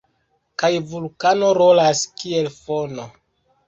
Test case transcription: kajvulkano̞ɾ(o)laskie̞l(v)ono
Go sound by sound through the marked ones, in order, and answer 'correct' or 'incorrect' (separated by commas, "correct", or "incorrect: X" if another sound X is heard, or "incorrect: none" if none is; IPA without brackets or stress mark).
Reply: correct, incorrect: f